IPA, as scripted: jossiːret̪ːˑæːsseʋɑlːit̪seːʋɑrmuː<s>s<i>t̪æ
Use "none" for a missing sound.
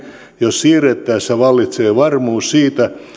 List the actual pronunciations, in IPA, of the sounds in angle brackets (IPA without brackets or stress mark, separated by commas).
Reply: s, iː